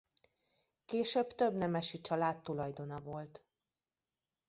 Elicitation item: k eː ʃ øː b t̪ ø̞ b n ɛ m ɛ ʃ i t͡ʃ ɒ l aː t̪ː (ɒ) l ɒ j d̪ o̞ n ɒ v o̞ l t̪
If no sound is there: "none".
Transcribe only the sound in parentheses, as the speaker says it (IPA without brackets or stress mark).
u